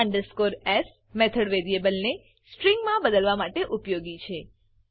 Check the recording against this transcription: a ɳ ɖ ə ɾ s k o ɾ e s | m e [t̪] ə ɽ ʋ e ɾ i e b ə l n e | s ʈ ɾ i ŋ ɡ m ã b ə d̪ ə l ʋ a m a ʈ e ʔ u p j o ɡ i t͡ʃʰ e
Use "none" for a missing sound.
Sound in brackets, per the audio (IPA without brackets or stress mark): t̪ʰ